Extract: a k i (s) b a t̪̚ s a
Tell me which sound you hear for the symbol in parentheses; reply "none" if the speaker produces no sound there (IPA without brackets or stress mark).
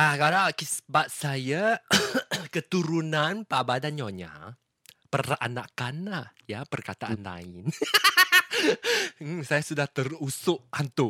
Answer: s